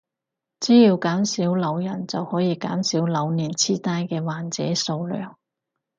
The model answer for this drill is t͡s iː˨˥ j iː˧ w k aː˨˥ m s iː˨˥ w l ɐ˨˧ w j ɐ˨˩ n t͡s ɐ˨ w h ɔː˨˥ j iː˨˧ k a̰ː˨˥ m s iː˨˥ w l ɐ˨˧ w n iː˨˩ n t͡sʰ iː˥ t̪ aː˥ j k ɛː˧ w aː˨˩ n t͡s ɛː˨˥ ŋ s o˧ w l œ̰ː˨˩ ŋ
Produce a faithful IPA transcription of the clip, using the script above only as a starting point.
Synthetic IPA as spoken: t͡s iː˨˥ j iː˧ w k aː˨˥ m s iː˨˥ w l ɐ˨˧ w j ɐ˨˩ n t͡s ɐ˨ w h ɔː˨˥ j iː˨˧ k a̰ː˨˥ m s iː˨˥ w l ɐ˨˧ w n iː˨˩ n t͡sʰ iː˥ t̪ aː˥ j k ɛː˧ w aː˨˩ n t͡s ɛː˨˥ s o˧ w l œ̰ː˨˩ ŋ

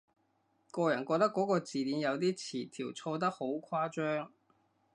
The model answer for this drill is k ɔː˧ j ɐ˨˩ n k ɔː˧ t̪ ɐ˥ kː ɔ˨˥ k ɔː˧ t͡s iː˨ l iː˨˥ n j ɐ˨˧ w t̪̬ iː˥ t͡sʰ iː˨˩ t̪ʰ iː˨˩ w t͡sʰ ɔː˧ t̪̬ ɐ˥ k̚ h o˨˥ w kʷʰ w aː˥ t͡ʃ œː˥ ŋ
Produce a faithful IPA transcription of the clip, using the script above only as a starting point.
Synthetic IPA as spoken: k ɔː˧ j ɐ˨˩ n k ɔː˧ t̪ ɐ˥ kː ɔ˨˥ k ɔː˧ t͡s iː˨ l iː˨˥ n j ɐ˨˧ w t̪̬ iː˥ t͡sʰ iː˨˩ t̪ʰ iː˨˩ w t͡sʰ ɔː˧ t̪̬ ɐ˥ k̚ h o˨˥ w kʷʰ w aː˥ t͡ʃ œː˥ ŋ

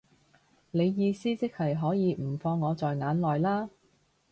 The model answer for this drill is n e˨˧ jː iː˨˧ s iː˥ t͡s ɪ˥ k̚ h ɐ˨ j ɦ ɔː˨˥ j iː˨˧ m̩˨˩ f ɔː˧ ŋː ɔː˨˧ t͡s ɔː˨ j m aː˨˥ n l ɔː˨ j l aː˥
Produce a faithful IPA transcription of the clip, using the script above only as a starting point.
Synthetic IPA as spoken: n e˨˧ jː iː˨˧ s iː˥ t͡s ɪ˥ k̚ h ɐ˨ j ɦ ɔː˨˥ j iː˨˧ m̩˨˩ f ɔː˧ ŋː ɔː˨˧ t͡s ɔː˨ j ŋ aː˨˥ n l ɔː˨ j l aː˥

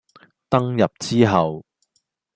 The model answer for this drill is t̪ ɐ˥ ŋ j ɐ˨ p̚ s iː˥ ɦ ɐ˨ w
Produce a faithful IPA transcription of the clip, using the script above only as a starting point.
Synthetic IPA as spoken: t̪ ɐ˥ ŋ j ɐ˨ p̚ t͡s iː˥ ɦ ɐ˨ w

